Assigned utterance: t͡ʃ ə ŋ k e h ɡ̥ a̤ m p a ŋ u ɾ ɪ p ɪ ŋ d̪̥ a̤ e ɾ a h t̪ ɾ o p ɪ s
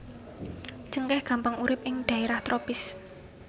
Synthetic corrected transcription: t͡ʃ ə ŋ k ɛ h ɡ̥ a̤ m p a ŋ u ɾ ɪ p ɪ ŋ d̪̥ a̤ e ɾ a h t̪ ɾ o p ɪ s